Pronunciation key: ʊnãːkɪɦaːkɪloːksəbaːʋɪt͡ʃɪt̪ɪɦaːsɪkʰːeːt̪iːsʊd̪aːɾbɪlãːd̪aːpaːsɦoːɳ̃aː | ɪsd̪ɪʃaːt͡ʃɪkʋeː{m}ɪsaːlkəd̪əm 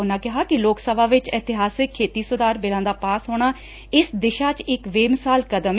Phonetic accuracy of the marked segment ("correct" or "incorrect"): correct